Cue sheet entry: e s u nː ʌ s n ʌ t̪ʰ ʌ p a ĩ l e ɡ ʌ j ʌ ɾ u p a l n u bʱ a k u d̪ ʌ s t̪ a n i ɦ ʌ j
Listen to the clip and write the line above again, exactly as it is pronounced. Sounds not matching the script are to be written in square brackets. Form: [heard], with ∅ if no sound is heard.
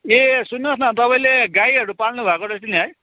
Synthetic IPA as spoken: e s u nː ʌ s n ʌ [t̪] ʌ p a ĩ l e ɡ [a] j ʌ ɾ u p a l n u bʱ a k [o] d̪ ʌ s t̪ [i] n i ɦ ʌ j